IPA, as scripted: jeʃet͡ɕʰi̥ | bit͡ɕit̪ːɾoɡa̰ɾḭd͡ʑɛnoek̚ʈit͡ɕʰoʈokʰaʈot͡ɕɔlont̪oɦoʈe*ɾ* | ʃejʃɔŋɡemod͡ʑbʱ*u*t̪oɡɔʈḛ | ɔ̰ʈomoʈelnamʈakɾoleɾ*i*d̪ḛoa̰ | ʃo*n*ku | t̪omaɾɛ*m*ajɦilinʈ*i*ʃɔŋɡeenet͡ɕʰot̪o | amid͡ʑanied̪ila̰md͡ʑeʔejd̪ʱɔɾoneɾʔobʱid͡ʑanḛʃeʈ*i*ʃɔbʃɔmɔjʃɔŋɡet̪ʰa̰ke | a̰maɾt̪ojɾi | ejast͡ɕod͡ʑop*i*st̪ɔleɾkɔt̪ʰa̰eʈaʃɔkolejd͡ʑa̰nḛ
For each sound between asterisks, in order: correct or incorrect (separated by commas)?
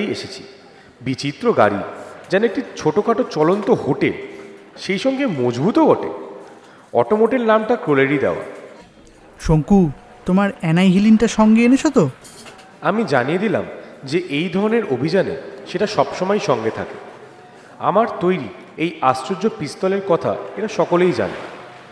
incorrect, correct, correct, incorrect, incorrect, incorrect, incorrect, correct